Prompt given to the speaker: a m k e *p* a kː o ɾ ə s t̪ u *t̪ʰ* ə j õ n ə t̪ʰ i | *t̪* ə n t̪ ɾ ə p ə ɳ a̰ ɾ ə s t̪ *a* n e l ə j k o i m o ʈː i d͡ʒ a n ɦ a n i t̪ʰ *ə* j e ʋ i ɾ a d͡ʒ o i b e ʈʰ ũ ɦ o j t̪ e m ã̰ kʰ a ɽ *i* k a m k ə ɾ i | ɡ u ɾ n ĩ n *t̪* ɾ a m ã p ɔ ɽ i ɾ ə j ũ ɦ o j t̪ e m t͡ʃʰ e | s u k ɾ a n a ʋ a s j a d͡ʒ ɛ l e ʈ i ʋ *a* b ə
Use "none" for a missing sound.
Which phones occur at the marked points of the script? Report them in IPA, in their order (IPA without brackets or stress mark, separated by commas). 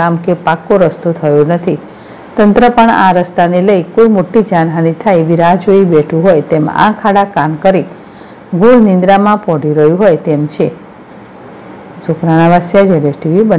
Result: p, t̪ʰ, t̪, a, a, a, d̪, i